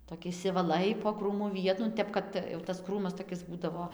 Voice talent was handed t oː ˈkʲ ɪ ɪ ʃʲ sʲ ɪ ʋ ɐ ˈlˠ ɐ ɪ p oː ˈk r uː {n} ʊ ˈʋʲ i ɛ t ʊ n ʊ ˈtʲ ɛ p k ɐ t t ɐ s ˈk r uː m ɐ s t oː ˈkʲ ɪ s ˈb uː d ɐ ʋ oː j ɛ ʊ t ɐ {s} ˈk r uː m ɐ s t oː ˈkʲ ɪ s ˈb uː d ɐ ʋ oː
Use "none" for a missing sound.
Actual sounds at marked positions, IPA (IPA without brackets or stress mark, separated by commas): m, s